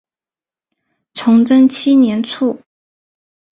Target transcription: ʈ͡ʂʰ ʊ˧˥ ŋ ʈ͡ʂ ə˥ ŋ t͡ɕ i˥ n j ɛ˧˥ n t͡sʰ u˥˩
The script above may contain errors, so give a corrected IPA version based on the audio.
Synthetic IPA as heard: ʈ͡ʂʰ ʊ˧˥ ŋ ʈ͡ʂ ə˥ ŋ t͡ɕʰ i˥ n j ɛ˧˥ n t͡sʰ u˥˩